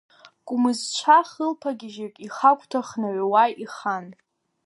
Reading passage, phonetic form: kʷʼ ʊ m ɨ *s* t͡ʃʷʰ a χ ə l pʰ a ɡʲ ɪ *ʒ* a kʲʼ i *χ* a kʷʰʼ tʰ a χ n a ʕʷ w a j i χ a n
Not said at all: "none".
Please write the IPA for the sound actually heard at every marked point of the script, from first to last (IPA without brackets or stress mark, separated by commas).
z, ʒ, χ